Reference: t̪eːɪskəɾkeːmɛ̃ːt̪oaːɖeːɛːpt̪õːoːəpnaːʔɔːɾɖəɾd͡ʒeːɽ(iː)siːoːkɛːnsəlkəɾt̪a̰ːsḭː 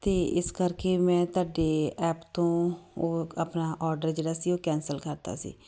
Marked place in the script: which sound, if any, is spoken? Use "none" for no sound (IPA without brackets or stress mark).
aː